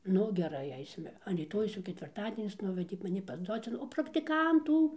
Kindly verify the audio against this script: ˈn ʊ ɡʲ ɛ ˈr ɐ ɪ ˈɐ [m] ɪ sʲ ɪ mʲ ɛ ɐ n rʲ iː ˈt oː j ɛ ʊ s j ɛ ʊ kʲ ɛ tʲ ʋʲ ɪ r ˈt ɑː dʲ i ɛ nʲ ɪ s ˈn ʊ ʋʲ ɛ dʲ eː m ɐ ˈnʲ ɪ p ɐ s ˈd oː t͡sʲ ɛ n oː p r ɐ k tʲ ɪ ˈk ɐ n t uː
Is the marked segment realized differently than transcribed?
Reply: yes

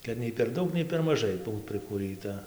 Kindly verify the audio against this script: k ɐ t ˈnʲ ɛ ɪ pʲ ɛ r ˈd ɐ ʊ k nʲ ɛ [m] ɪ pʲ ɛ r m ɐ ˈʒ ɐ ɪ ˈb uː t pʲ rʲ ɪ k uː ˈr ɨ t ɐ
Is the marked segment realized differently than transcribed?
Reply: yes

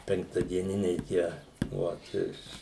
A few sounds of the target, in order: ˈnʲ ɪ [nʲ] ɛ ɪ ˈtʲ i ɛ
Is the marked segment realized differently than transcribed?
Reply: no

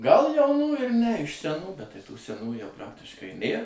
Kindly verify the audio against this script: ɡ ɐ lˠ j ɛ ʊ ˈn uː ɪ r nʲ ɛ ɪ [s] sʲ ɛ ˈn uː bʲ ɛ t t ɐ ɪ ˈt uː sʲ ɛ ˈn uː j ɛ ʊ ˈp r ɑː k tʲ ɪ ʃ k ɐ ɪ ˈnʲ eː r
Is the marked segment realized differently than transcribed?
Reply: yes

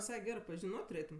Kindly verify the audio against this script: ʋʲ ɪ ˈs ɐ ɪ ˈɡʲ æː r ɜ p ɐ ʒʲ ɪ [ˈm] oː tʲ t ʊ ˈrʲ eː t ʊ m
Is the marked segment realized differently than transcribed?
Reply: yes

